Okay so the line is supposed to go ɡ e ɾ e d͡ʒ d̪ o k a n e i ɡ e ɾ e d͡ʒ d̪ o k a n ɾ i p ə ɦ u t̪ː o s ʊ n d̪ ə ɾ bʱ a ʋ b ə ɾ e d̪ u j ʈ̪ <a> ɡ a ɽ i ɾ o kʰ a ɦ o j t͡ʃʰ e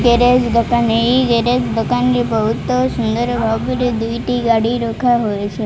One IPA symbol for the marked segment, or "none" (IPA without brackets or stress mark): i